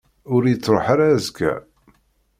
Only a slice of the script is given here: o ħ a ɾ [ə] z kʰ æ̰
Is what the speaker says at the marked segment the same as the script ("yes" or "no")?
no